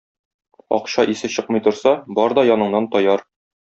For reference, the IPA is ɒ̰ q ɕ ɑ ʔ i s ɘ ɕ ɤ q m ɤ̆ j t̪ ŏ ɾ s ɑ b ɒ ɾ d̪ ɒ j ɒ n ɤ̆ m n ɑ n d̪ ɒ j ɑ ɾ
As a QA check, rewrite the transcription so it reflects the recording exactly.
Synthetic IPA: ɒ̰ q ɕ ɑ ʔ i s ɘ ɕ ɤ q m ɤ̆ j t̪ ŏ ɾ s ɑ b ɒ ɾ d̪ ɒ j ɒ n ɤ̆ ɴ n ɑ n t̪ ɒ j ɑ ɾ